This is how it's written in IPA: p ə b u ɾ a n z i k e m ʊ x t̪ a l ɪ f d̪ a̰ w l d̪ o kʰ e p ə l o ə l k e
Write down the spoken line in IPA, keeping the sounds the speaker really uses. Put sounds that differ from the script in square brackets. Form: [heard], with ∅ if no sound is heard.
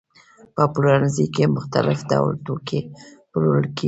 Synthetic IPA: p ə [p] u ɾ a n z i k e m ʊ x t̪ a l ɪ f d̪ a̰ w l [t̪] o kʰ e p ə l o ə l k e